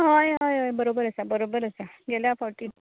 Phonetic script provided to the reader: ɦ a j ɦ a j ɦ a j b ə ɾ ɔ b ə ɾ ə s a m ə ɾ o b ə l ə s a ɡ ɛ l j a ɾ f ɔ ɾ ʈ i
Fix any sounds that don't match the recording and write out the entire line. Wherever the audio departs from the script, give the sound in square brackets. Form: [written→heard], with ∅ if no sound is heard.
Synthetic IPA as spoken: ɦ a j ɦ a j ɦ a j b ə ɾ [ɔ→o] b ə ɾ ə s a [m→b] ə ɾ o b ə [l→ɾ] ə s a ɡ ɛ l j a [ɾ→∅] f ɔ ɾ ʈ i